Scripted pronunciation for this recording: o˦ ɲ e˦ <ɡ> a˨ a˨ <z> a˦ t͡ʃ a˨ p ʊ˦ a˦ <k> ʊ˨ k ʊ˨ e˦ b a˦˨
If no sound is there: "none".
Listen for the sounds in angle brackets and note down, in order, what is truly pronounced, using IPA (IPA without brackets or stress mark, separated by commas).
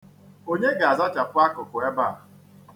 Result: ɡ, z, k